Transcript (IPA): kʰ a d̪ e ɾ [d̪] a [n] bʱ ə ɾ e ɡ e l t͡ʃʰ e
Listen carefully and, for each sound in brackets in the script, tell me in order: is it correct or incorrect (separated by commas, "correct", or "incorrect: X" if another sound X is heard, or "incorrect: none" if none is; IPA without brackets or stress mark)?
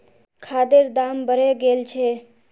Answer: correct, incorrect: m